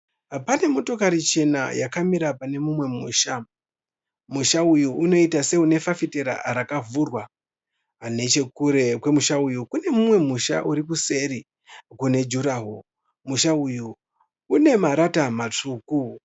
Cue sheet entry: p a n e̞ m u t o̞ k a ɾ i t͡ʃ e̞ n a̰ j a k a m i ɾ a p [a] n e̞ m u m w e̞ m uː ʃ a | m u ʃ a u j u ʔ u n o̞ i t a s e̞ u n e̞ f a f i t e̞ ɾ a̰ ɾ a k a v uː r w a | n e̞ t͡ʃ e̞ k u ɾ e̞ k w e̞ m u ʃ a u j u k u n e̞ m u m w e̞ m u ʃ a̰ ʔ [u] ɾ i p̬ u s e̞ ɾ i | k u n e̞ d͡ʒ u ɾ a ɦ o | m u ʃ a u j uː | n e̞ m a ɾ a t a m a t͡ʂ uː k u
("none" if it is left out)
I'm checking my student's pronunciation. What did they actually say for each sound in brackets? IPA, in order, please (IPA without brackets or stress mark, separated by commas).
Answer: a, u